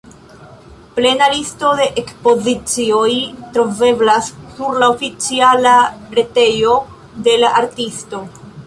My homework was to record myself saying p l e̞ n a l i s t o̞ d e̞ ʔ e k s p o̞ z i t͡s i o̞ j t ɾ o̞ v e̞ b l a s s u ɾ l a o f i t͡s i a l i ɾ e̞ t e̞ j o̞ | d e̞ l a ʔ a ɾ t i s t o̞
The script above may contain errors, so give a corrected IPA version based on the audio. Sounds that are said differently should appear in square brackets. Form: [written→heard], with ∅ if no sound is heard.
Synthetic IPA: p l e̞ n a l i s t o̞ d e̞ ʔ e k s p o̞ z i t͡s i o̞ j t ɾ o̞ v e̞ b l a s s u ɾ l a o f i t͡s i a l [i→a] ɾ e̞ t e̞ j o̞ | d e̞ l a ʔ a ɾ t i s t o̞